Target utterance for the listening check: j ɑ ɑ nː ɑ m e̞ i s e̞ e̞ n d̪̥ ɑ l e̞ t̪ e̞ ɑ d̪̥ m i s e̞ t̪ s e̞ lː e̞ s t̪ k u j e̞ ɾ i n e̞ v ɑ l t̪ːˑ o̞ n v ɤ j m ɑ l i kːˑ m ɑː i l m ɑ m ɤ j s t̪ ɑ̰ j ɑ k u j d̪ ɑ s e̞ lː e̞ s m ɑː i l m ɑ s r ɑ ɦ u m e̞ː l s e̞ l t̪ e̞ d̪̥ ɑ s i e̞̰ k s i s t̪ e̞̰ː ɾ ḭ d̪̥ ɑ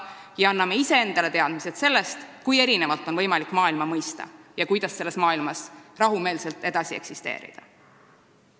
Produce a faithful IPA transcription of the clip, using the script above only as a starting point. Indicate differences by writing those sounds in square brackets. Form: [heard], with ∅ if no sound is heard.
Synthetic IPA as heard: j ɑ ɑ nː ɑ m e̞ i s e̞ e̞ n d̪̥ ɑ l e̞ t̪ e̞ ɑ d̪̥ m i s e̞ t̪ s e̞ lː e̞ s t̪ k u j e̞ ɾ i n e̞ v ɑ l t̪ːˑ o̞ n v ɤ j m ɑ l i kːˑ m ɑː i l m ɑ m ɤ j s t̪ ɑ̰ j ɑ k u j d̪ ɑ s e̞ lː e̞ s m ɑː i l m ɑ s r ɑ ɦ u m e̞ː l s e̞ l t̪ e̞ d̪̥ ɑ s i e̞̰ k s i s t̪ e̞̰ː ɾ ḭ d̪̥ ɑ